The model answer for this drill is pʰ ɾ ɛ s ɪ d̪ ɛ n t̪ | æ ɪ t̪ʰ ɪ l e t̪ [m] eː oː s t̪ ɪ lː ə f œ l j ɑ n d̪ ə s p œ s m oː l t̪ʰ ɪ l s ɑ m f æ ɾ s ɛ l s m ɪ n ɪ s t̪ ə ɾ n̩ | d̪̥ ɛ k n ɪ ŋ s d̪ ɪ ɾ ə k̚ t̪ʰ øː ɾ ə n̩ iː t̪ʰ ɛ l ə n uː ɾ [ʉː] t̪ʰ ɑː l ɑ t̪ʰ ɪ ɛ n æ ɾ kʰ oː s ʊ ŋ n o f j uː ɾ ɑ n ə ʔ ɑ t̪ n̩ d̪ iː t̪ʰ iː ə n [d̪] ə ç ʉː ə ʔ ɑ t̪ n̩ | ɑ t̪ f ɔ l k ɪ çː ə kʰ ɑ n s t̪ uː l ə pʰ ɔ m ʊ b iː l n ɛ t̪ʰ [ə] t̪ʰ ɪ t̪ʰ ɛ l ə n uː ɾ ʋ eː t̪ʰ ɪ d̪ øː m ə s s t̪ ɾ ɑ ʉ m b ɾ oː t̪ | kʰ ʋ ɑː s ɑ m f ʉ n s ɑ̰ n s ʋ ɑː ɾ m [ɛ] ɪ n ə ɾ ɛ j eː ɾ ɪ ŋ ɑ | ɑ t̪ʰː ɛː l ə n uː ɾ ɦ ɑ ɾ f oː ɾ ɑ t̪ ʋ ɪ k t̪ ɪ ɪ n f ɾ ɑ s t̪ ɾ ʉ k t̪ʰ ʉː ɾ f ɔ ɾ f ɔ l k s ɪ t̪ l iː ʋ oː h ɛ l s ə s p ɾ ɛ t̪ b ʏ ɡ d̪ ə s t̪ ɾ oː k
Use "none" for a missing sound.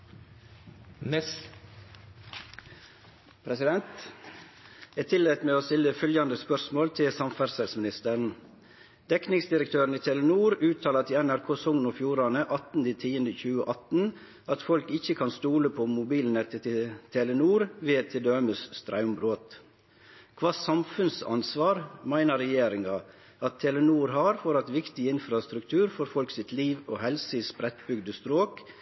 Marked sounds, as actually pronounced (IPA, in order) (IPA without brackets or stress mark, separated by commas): m, ʉː, d̪, ə, æ